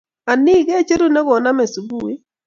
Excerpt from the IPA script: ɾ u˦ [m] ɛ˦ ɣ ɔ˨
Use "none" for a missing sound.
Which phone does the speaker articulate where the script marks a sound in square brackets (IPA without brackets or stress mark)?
n